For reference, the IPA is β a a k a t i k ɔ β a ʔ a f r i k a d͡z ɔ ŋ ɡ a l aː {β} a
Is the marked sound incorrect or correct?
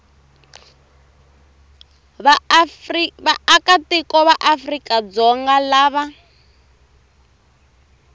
correct